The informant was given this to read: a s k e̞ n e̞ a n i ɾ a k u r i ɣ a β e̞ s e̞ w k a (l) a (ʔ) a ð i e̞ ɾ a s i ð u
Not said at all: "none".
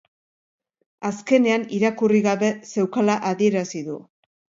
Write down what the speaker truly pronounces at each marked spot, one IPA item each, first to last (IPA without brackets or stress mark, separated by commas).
l, ʔ